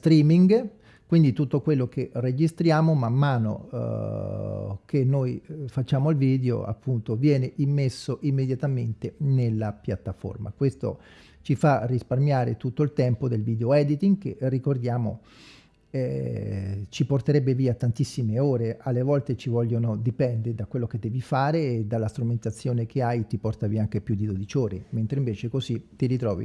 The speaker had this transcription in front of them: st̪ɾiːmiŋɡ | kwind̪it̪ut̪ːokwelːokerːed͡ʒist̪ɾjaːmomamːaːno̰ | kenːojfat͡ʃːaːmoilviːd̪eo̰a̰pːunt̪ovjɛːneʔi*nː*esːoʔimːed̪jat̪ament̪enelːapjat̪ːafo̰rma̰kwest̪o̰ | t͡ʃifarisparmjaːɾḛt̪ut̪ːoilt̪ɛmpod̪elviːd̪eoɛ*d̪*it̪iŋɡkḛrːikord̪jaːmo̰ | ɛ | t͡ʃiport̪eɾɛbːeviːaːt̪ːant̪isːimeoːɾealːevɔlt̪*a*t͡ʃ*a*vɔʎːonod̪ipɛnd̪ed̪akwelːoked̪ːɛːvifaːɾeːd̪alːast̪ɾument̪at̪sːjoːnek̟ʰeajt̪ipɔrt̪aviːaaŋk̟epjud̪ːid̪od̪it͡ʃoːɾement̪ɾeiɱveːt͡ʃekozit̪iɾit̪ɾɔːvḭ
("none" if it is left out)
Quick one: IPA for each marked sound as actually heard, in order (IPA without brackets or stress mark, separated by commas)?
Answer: mː, d̪, e, i